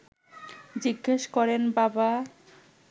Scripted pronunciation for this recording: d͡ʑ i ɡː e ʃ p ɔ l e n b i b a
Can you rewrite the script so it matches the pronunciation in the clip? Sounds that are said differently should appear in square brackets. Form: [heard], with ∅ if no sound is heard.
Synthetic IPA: d͡ʑ i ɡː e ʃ [k] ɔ [ɾ] e n b [a] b a